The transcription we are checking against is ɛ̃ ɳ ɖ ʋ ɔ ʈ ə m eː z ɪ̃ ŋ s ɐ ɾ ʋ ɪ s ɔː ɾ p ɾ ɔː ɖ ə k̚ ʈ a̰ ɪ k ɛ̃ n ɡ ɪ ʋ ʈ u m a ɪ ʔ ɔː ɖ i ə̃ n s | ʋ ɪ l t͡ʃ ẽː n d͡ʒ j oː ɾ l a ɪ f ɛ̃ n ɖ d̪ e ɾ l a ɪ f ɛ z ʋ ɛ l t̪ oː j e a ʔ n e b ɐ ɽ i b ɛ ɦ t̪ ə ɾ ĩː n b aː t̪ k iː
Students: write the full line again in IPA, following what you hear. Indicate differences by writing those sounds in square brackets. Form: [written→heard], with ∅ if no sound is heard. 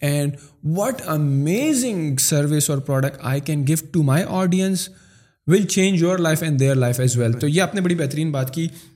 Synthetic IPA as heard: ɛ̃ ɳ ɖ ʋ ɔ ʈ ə m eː z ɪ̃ ŋ s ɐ ɾ ʋ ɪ s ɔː ɾ p ɾ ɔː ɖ ə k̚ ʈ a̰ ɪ k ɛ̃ n ɡ ɪ ʋ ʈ u m a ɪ ʔ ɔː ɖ i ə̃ n s | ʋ ɪ l t͡ʃ ẽː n d͡ʒ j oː ɾ l a ɪ f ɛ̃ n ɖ d̪ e ɾ l a ɪ f ɛ z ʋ ɛ l t̪ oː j e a [ʔ→p] n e b ɐ ɽ i b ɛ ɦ t̪ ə ɾ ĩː n b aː t̪ k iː